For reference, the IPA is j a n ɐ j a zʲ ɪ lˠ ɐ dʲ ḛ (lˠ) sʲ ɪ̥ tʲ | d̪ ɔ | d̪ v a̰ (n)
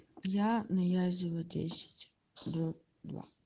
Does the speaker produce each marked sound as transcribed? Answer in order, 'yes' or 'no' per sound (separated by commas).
no, no